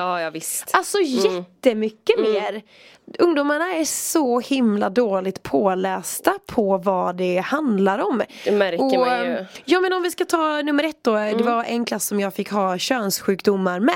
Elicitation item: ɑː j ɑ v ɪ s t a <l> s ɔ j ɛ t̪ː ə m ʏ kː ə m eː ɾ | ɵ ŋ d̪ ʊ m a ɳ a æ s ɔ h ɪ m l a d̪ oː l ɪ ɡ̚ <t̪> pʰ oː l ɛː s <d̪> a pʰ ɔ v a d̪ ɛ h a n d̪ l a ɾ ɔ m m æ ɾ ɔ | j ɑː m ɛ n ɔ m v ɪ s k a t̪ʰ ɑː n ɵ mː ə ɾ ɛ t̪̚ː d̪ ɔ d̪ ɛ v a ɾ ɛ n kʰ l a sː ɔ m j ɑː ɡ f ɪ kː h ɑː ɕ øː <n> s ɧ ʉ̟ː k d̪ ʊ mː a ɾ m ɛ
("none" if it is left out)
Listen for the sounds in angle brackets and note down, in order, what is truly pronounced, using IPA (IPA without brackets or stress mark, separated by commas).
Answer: l, t̪, t̪, n